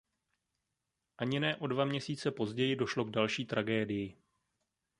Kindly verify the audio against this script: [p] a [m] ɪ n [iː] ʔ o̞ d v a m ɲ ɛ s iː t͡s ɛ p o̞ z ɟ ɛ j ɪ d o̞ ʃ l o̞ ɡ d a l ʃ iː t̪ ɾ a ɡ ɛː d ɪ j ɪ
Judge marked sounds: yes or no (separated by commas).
no, no, no